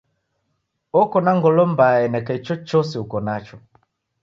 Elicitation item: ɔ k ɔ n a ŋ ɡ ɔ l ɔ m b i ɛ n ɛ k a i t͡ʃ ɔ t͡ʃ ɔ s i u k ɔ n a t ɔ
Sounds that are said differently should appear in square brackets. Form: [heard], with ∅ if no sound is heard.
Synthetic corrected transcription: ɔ k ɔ n a ŋ ɡ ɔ l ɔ m b [a] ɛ n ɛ k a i t͡ʃ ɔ t͡ʃ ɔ s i u k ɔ n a [t͡ʃ] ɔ